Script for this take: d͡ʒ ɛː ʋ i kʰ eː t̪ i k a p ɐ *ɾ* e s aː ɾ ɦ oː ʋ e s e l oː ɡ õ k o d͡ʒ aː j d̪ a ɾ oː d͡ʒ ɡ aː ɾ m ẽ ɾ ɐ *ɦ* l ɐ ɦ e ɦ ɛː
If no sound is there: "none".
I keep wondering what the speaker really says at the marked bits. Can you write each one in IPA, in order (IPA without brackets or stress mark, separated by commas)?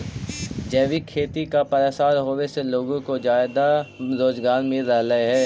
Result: ɾ, ɦ